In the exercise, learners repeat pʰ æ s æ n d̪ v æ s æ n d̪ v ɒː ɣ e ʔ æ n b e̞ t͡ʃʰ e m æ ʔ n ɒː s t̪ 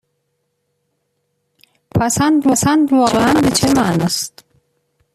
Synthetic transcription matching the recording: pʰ æ s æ n d̪ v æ s æ n d̪ v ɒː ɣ e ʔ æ n b e̞ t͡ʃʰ e m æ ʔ n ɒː s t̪